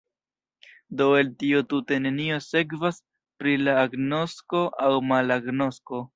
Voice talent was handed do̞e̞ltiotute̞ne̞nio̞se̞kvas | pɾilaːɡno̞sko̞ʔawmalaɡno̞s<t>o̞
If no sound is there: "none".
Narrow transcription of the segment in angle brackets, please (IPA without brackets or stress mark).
k